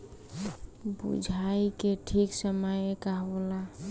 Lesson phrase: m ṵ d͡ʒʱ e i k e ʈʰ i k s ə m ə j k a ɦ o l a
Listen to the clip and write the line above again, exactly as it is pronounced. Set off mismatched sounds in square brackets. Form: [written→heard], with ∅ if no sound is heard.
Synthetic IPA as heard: [m→b] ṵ d͡ʒʱ [e→a] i k e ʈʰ i k s ə m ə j k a ɦ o l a